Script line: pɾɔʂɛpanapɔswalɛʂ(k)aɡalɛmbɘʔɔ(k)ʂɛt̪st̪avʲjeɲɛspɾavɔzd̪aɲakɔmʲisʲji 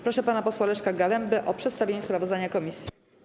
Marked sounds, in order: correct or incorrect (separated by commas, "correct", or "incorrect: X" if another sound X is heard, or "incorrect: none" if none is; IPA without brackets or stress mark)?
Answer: correct, incorrect: p